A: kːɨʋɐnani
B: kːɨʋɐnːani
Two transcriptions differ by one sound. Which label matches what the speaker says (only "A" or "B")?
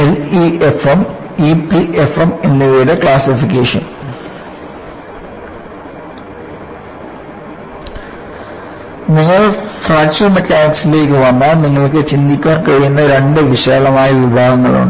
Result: B